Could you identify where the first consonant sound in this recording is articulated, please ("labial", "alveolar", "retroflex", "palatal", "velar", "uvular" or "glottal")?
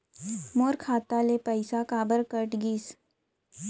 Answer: labial